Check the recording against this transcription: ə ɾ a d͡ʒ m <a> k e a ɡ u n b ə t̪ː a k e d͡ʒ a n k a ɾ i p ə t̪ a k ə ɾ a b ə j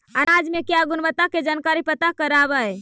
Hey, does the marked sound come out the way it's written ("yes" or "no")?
no